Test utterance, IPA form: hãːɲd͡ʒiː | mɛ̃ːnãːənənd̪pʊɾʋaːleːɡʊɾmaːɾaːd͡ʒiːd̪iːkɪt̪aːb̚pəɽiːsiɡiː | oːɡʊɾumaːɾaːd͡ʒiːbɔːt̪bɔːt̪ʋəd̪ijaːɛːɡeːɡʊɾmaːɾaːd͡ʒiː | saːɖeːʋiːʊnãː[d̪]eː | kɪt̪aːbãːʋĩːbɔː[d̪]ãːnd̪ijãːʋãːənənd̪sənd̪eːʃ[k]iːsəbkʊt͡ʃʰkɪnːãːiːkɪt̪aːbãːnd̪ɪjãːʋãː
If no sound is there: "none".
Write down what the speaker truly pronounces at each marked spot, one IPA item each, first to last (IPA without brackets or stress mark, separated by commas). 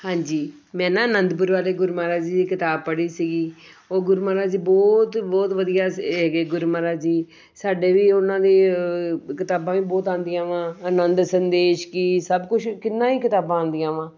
d̪, t̪, k